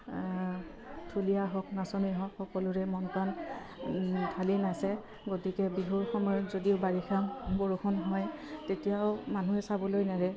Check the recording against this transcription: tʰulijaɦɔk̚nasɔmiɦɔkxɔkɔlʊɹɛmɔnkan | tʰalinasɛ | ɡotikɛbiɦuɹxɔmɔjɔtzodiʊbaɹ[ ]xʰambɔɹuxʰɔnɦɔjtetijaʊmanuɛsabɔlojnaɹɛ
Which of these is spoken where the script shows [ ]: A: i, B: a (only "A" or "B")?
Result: A